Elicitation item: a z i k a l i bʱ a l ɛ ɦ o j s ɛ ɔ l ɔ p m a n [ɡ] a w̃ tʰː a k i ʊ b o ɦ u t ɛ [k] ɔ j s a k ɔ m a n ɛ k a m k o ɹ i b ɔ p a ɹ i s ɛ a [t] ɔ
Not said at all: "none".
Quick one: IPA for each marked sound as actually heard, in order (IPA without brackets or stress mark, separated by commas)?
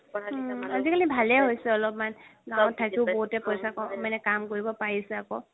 ɡ, p, k